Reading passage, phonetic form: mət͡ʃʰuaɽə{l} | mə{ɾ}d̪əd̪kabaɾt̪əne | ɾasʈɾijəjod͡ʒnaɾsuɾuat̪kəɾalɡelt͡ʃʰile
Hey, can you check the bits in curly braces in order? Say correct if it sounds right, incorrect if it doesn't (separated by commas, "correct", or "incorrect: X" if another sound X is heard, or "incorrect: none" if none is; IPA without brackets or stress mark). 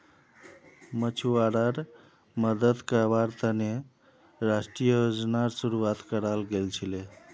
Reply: incorrect: ɾ, incorrect: none